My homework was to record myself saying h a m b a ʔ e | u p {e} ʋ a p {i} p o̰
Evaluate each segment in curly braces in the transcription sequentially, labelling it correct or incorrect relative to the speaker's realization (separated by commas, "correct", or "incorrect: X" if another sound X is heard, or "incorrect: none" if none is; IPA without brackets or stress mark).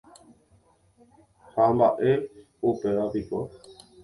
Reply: correct, correct